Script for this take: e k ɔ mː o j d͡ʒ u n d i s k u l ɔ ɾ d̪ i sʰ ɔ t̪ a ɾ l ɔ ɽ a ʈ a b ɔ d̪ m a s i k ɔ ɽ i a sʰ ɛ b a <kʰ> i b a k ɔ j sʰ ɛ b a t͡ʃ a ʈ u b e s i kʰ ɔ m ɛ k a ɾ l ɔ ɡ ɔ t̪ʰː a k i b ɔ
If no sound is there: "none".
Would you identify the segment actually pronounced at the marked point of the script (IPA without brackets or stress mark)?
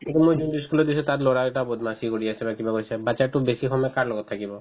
k